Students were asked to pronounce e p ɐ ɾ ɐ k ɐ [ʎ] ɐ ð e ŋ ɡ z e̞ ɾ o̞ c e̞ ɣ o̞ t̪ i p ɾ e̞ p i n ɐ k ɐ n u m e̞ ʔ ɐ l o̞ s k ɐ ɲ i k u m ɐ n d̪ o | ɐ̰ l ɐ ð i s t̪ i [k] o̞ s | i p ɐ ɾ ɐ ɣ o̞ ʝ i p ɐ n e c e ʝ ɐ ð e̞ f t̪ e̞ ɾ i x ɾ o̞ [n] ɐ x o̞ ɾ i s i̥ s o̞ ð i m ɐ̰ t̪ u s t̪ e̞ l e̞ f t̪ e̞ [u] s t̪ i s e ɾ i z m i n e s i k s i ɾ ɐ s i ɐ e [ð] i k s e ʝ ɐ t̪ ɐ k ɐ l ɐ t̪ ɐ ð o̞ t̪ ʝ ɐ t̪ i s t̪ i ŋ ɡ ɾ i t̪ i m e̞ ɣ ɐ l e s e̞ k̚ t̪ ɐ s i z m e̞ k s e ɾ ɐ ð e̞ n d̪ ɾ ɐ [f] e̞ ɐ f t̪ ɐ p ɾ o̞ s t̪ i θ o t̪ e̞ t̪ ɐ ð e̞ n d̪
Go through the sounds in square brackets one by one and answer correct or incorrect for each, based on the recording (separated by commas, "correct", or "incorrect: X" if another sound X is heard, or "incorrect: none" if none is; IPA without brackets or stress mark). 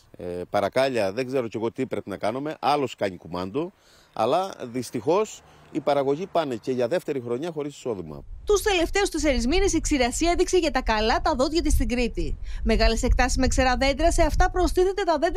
correct, incorrect: x, incorrect: ɲ, correct, correct, incorrect: s